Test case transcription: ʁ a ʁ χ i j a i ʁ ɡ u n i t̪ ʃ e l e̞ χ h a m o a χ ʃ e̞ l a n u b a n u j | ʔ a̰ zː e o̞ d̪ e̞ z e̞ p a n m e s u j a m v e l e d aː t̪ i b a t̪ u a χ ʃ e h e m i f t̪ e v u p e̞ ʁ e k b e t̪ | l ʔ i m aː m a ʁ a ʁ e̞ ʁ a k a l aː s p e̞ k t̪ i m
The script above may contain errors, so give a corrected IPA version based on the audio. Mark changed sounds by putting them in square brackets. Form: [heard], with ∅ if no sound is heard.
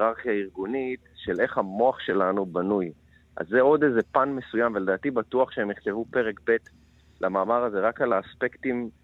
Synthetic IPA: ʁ a ʁ χ i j a i ʁ ɡ u n i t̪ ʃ e l e̞ χ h a m o a χ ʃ e̞ l a n u b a n u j | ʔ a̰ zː e o̞ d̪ e̞ z e̞ p a n m e s u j a m v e l e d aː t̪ i b a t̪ u a χ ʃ e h e m i [χ] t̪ e v u p e̞ ʁ e k b e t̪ | l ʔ [a] m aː m a ʁ a [z] e̞ ʁ a k a l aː s p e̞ k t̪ i m